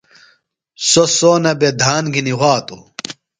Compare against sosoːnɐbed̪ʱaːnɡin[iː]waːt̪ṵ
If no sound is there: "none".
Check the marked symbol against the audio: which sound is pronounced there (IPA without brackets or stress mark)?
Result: i